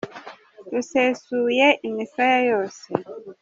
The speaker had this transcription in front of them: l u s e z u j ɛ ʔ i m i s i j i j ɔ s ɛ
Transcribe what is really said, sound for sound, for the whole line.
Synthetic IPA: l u s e s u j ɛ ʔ i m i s a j a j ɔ s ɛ